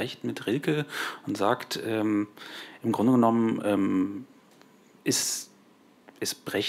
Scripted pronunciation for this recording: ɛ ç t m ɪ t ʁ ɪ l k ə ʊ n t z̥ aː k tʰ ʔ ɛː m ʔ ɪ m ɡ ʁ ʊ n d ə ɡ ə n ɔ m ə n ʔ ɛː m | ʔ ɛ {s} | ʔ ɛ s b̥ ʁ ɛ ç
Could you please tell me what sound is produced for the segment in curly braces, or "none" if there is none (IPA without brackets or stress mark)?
s